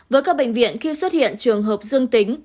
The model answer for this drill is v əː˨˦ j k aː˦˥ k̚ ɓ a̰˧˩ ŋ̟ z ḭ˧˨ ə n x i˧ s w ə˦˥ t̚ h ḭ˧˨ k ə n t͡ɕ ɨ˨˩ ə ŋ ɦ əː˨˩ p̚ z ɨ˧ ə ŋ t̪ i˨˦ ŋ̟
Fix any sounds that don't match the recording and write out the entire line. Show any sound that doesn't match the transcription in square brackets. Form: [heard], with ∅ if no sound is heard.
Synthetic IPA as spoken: v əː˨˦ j k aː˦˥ k̚ ɓ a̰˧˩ ŋ̟ [v] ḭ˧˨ ə n x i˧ s w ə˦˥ t̚ h ḭ˧˨ [∅] ə n t͡ɕ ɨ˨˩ ə ŋ ɦ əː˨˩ p̚ z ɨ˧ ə ŋ t̪ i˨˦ ŋ̟